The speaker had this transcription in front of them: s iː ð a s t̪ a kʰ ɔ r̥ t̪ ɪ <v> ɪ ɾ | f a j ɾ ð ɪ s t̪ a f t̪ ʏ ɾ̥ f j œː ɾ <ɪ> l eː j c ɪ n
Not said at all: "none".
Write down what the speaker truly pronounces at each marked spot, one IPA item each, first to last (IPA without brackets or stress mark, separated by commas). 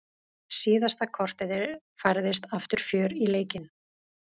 ð, i